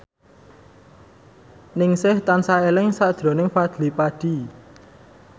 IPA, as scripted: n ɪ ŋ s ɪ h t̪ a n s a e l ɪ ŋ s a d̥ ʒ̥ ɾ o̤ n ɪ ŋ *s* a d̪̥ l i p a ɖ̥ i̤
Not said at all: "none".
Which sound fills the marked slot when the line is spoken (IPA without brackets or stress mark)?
f